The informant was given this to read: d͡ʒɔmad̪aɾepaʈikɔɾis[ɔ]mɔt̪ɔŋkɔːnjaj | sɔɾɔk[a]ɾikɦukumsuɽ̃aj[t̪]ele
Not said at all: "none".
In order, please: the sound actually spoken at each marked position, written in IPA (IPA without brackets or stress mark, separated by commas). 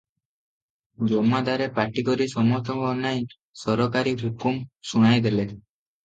ɔ, a, d̪